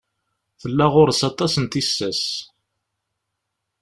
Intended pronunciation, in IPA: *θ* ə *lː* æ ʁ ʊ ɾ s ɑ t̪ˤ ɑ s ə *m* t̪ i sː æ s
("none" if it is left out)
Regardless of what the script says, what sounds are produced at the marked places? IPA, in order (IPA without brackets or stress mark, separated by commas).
θ, lː, n